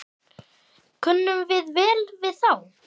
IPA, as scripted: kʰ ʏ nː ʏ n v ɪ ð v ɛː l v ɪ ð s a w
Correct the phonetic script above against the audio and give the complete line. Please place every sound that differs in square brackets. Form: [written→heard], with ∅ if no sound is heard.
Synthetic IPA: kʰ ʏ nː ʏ [n→m] v ɪ ð v ɛː l v ɪ ð [s→θ] a w